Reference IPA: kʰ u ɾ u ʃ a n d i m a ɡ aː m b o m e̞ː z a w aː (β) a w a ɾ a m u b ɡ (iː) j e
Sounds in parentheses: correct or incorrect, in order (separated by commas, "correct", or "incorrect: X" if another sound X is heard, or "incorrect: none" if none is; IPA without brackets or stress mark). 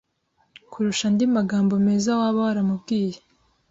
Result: correct, correct